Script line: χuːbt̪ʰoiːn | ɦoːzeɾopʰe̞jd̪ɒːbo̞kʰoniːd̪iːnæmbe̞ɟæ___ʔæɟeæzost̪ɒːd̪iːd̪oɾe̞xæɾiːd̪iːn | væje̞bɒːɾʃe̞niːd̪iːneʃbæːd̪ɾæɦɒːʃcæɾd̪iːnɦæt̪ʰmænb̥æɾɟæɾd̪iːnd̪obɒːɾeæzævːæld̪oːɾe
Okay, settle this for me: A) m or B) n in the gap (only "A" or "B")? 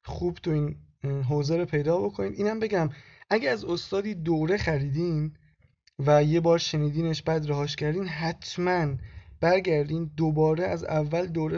A